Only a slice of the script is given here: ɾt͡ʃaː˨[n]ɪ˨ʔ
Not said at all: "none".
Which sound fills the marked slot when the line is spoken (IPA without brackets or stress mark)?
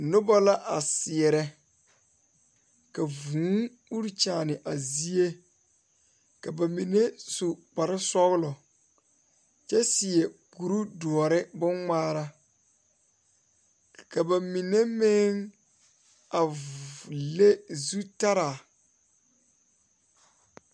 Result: n